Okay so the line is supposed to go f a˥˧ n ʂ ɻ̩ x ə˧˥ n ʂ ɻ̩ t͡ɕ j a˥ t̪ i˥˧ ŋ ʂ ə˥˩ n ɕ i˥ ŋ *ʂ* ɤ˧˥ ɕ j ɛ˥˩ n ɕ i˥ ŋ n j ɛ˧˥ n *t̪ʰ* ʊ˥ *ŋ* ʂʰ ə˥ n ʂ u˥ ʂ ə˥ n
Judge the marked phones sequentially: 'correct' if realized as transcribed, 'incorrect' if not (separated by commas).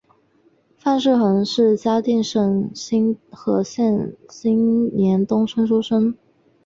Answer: incorrect, incorrect, correct